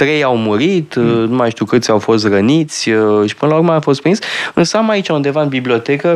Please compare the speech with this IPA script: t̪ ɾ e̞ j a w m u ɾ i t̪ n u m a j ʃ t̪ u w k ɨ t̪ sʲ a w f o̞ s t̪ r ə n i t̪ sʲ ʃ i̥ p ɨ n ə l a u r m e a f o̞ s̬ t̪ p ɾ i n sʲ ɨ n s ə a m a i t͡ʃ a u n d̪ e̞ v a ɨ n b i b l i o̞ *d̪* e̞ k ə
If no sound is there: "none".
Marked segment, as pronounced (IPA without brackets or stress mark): t̪